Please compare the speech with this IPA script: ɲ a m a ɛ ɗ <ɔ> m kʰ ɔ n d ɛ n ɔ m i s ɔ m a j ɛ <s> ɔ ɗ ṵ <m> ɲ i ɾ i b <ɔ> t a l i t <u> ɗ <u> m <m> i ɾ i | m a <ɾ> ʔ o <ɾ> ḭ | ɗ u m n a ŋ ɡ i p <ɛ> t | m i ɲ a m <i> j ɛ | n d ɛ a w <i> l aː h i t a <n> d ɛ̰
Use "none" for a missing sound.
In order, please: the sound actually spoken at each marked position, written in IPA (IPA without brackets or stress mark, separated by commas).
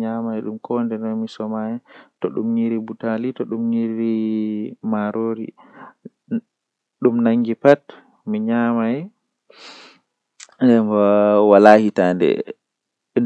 u, t, m, u, ɔ, u, ɲ, ɾ, ɾ, a, a, a, n